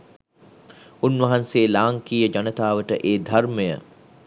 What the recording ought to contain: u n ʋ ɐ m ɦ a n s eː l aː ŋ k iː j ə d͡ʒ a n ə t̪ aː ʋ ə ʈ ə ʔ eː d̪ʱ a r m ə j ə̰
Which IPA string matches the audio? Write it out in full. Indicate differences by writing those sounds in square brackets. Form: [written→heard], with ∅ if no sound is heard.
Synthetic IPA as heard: u n ʋ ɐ [m→∅] ɦ a n s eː l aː ŋ k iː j ə d͡ʒ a n ə t̪ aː ʋ ə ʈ ə ʔ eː d̪ʱ a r m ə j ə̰